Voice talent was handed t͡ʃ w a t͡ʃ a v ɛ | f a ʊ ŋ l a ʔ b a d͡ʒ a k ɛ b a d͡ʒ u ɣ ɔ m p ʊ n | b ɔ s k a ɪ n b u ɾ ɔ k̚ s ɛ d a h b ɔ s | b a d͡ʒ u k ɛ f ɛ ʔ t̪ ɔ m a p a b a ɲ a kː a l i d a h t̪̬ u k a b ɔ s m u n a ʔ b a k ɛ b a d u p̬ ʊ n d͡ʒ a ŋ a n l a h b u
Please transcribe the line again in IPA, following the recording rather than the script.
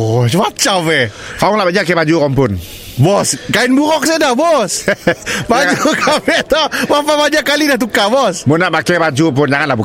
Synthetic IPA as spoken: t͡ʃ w a t͡ʃ a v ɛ | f a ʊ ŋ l a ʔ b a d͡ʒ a k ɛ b a d͡ʒ u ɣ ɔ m p ʊ n | b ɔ s k a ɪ n b u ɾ ɔ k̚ s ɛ d a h b ɔ s | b a d͡ʒ u k a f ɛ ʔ t̪ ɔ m a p a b a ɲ a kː a l i d a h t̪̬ u k a b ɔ s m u n a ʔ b a k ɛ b a d͡ʒ u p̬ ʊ n d͡ʒ a ŋ a n l a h b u